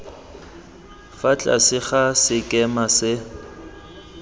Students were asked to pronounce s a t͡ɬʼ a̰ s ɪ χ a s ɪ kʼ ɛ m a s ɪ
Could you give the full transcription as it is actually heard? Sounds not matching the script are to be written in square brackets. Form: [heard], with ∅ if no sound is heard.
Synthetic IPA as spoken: [f] a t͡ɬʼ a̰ s ɪ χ a s ɪ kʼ ɛ m a s ɪ